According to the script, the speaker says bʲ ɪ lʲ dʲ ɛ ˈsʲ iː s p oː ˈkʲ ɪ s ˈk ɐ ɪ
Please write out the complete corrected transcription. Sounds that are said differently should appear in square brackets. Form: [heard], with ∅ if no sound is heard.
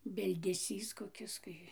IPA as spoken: bʲ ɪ lʲ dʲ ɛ ˈsʲ iː s [k] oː ˈkʲ ɪ s ˈk ɐ ɪ